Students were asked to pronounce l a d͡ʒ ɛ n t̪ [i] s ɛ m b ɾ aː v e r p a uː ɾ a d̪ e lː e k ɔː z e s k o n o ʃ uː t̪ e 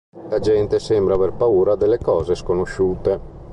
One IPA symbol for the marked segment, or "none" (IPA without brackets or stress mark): e